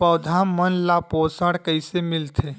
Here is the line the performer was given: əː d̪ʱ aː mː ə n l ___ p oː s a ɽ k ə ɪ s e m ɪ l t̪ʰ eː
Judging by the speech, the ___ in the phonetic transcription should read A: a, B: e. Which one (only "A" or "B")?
A